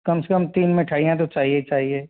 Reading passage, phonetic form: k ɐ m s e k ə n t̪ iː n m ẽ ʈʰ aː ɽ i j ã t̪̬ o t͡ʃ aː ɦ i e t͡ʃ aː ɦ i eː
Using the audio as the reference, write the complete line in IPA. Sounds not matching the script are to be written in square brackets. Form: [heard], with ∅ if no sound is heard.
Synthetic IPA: k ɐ m s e k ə [m] t̪ iː n m ẽ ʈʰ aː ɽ i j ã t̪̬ o t͡ʃ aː ɦ i e t͡ʃ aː ɦ i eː